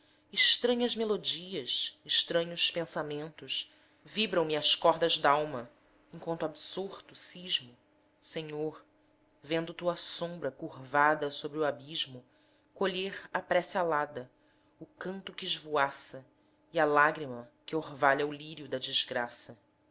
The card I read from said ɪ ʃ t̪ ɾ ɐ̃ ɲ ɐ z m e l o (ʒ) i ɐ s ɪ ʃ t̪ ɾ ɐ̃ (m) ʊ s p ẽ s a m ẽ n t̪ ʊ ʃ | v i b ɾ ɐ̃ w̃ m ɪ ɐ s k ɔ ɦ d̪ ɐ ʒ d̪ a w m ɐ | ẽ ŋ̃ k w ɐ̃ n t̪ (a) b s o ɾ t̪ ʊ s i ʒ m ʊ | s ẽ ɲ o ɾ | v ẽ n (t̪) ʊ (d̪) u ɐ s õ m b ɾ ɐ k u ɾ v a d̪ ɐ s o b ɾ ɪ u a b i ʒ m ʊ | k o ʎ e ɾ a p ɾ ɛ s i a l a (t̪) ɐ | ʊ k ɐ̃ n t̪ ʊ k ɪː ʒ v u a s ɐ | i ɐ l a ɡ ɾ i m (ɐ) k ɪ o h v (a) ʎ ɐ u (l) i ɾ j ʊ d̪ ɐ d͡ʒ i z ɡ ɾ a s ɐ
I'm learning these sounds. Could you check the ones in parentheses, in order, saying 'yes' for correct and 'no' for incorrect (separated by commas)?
no, no, yes, no, no, no, yes, yes, yes